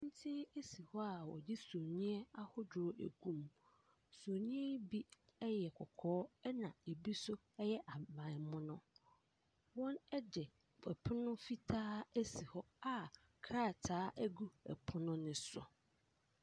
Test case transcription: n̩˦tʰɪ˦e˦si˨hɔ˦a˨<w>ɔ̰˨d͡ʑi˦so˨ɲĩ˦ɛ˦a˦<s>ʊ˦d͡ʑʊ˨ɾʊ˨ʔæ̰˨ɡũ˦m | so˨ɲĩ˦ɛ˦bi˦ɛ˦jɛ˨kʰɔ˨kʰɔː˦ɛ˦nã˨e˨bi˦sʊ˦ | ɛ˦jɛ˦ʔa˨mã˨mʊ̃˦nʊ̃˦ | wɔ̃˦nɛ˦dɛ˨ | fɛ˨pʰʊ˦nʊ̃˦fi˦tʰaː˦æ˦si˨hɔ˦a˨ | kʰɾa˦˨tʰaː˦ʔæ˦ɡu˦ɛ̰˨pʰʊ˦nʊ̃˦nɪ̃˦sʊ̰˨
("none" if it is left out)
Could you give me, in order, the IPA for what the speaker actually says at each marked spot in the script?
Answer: w, h

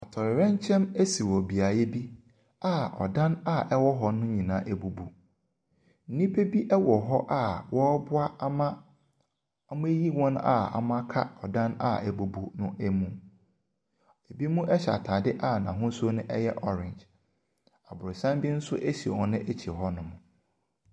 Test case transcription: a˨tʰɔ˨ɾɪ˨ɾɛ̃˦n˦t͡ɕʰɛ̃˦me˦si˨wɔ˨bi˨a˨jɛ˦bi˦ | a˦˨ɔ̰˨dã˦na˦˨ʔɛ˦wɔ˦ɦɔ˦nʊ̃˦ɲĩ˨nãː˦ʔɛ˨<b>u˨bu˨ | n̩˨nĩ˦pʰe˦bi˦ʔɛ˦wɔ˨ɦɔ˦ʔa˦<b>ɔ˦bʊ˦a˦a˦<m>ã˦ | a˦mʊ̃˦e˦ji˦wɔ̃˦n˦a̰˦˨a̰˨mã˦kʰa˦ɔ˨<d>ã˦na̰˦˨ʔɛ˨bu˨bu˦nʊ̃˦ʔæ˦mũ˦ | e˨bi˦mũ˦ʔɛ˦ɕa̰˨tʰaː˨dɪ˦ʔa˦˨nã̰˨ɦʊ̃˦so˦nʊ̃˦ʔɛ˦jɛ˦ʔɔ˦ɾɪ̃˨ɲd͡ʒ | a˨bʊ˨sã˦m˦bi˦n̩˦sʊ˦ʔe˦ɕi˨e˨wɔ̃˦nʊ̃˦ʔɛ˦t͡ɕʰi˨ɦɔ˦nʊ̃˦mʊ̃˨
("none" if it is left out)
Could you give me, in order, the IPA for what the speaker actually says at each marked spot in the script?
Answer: b, w, m, d

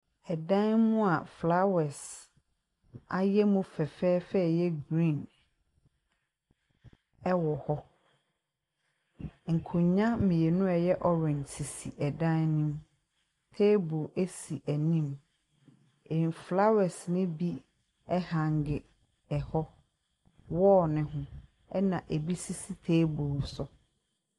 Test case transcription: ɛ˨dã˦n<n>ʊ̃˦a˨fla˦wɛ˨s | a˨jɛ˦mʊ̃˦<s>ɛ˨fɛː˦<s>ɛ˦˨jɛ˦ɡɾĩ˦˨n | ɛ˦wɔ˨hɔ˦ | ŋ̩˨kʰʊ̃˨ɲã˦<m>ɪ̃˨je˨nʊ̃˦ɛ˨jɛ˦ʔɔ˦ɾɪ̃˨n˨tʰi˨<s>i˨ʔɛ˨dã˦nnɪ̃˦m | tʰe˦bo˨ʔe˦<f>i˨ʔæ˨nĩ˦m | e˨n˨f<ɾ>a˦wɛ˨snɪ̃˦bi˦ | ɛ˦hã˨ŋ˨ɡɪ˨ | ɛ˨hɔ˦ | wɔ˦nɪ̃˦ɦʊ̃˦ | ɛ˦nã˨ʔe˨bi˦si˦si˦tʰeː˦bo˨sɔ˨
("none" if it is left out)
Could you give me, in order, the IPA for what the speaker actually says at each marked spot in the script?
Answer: m, f, f, m, s, s, l

